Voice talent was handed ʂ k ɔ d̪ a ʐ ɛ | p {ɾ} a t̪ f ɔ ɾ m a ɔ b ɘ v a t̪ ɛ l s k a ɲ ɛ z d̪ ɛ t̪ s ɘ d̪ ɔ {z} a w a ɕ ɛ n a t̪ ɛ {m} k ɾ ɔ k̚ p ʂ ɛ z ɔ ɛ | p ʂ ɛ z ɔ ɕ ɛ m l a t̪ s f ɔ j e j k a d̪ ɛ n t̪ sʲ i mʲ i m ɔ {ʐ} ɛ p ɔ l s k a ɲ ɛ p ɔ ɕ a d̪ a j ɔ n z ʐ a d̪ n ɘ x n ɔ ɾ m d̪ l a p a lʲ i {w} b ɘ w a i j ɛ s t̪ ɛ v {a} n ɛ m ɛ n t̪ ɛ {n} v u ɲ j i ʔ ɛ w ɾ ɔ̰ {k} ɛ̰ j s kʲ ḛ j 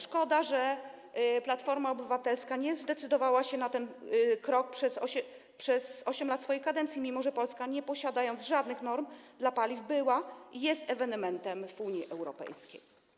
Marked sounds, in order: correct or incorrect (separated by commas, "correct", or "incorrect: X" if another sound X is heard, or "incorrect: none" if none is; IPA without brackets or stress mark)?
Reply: incorrect: l, incorrect: v, incorrect: n, correct, incorrect: v, incorrect: ɛ, incorrect: m, incorrect: p